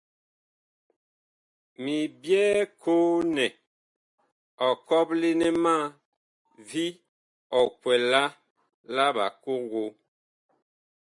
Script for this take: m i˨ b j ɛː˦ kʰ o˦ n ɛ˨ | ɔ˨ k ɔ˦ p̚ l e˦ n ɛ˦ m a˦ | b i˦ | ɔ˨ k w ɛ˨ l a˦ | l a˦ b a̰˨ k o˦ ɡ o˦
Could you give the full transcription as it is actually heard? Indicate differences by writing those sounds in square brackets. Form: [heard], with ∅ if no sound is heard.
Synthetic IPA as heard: m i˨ b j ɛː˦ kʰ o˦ n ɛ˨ | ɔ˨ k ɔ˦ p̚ l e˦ n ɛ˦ m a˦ | [v] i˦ | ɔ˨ k w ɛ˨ l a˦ | l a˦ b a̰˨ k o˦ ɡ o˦